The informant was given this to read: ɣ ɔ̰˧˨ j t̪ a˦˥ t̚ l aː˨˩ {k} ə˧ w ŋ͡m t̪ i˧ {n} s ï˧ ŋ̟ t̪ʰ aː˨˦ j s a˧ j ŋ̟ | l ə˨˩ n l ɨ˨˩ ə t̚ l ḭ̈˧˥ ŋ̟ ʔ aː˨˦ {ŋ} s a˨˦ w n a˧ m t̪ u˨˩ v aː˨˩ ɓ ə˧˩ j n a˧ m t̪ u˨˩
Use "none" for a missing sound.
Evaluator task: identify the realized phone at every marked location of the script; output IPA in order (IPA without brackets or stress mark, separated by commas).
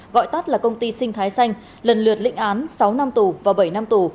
k, none, n